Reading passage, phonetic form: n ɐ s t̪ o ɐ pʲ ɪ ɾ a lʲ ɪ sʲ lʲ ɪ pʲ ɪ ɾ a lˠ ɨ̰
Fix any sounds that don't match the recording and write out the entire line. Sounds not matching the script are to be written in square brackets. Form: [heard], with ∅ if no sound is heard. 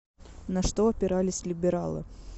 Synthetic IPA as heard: n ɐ [ʂ] t̪ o ɐ pʲ ɪ ɾ a lʲ ɪ sʲ lʲ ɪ [bʲ] ɪ ɾ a lˠ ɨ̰